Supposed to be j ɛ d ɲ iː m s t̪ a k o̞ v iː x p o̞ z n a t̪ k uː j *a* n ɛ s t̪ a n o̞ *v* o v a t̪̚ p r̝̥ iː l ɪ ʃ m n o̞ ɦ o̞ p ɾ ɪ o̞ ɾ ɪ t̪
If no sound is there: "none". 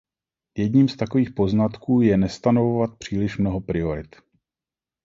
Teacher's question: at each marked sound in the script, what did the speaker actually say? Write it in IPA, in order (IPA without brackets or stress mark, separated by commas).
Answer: ɛ, v